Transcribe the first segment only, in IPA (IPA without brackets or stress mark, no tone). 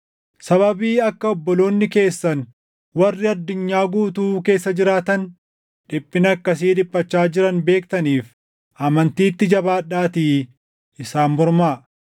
s